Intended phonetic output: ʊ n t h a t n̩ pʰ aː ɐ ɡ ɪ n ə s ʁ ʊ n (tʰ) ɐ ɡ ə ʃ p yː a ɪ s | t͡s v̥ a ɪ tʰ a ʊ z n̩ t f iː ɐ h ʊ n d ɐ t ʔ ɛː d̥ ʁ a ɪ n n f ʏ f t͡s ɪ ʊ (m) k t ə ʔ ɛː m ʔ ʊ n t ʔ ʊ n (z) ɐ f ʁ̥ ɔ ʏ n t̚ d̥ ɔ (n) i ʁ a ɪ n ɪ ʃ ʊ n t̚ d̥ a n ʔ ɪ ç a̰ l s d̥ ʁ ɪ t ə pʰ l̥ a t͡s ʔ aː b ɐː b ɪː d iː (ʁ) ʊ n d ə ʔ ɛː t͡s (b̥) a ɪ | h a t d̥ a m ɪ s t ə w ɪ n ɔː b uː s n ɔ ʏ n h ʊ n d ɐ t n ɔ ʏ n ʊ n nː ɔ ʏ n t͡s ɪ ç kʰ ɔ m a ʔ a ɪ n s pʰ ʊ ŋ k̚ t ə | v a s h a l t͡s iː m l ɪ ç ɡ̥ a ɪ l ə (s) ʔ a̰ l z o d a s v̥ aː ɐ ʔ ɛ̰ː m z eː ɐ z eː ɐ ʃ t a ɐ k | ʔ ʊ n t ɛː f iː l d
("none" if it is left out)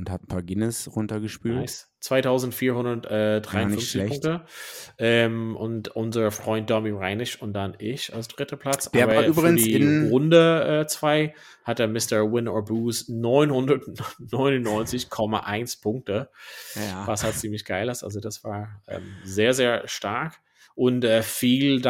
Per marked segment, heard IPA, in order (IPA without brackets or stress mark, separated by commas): t, ŋ, z, m, ʁ, v̥, s